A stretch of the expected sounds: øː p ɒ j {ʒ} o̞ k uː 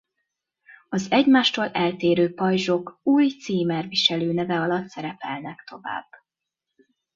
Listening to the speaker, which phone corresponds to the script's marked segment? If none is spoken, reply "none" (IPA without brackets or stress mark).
ʒ